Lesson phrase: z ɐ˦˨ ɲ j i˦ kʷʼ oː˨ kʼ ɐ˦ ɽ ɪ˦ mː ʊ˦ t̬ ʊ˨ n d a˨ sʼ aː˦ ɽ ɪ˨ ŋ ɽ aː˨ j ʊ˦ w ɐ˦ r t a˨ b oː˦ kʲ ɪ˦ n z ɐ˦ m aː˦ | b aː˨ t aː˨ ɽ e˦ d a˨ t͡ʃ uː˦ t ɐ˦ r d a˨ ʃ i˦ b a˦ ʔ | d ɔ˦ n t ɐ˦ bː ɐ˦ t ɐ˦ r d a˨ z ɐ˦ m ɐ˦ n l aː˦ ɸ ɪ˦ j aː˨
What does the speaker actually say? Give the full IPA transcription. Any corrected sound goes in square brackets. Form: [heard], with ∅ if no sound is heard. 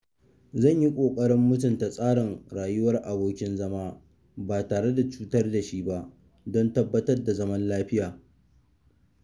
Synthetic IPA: z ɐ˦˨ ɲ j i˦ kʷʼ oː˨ kʼ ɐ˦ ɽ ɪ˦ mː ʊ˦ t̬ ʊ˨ n [t] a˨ sʼ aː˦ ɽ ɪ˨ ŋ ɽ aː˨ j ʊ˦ w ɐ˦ r [ʔ] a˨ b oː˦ kʲ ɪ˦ n z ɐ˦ m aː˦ | b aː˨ t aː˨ ɽ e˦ d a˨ t͡ʃ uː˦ t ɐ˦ r d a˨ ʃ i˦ b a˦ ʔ | d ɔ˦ n t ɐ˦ bː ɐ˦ t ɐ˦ r d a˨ z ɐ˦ m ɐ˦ n l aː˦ ɸ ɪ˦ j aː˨